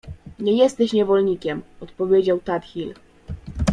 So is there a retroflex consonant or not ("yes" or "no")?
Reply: no